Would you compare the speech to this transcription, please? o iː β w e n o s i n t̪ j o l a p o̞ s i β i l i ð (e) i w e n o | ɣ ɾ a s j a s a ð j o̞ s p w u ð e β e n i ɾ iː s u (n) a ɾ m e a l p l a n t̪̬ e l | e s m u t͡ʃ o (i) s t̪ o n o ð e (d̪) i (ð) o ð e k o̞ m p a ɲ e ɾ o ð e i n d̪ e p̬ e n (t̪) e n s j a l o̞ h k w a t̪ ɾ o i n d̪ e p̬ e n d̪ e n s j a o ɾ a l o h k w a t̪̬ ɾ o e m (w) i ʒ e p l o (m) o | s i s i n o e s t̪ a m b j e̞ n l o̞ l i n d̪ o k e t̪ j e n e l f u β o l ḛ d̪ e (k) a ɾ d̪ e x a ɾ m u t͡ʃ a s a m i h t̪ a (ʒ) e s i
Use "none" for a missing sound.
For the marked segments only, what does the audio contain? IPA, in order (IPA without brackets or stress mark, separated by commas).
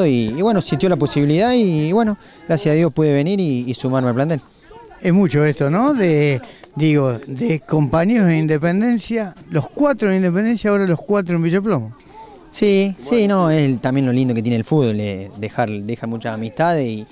a, m, e, d̪, ɣ, d̪, b, m, x, ð